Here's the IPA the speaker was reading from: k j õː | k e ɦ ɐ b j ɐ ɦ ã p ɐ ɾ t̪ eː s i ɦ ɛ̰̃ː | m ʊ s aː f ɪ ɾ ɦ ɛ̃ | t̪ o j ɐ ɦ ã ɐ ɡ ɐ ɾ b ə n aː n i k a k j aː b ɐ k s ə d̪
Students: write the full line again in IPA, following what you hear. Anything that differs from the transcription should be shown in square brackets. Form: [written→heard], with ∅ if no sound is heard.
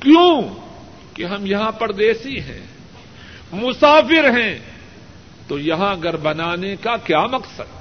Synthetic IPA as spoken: k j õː | k e ɦ ɐ [b→m] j ɐ ɦ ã p ɐ ɾ [t̪→d̪] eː s i ɦ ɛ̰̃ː | m ʊ s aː f ɪ ɾ ɦ ɛ̃ | t̪ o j ɐ ɦ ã ɐ ɡ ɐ ɾ b [ə→ɐ] n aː n [i→e] k a k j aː [b→m] ɐ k s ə d̪